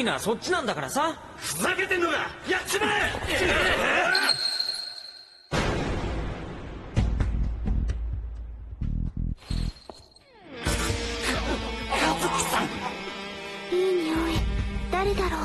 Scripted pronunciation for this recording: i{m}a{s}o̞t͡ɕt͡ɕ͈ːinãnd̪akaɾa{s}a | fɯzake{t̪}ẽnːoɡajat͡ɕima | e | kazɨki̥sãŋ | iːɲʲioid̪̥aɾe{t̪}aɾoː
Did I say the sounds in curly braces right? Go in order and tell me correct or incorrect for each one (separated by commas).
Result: incorrect, correct, correct, correct, incorrect